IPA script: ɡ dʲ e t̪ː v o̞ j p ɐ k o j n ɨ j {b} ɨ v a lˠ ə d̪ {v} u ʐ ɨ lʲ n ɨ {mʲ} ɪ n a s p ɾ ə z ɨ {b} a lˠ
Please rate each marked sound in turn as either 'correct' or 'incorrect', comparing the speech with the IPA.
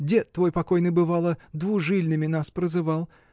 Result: correct, correct, correct, incorrect: v

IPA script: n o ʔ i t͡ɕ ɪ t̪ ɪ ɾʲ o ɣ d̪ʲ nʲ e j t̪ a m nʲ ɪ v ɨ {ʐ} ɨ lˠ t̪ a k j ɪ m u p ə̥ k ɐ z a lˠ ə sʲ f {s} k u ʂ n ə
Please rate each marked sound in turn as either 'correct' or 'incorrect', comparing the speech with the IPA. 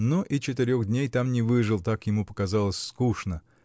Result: correct, correct

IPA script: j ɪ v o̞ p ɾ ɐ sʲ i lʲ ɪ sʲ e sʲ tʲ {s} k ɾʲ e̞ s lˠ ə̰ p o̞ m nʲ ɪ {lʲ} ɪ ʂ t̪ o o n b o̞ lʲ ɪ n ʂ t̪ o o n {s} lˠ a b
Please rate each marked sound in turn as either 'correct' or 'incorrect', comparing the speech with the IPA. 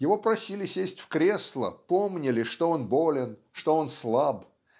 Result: incorrect: f, correct, correct

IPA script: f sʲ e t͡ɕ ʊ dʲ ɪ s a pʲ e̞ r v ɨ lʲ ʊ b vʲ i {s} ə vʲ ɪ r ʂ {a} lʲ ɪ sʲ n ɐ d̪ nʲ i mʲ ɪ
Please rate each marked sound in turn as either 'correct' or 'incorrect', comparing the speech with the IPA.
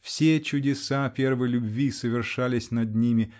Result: correct, correct

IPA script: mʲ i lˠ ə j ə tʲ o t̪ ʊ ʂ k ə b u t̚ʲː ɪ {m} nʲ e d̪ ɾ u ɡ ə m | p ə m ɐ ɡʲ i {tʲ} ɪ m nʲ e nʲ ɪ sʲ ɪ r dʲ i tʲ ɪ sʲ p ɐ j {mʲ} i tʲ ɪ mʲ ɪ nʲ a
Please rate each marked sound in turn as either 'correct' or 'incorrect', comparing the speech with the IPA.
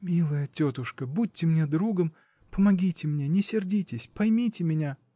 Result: correct, correct, correct

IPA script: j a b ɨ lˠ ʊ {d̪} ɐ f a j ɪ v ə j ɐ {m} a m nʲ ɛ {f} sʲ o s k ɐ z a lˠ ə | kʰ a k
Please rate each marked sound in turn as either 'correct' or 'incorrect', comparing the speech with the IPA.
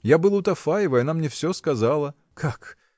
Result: incorrect: t̪, incorrect: n, correct

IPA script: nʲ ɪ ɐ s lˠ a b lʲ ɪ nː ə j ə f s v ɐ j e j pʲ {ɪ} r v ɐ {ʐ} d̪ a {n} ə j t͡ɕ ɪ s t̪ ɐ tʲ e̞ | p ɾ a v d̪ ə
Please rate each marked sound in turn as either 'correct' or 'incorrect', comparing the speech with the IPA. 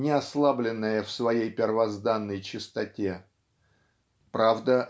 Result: correct, incorrect: z, incorrect: nː

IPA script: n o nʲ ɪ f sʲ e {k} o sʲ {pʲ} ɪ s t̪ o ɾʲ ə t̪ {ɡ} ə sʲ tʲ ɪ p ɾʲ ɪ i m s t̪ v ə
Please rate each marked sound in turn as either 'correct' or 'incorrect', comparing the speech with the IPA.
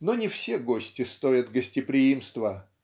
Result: incorrect: ɡ, incorrect: tʲ, correct

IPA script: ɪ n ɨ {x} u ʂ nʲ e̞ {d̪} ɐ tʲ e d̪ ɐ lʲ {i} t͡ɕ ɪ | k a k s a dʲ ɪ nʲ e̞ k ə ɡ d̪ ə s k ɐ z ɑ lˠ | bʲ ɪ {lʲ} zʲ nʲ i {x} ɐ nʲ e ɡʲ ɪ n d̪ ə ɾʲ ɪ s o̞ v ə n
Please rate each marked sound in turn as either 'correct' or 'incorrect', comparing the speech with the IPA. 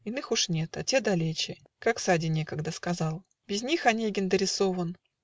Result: correct, incorrect: t̪, incorrect: e, incorrect: none, correct

